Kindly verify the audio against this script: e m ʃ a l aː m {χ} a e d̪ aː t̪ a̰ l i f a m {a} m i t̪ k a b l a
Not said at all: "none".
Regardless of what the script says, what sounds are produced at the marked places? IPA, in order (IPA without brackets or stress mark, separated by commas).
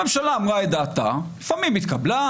ʁ, i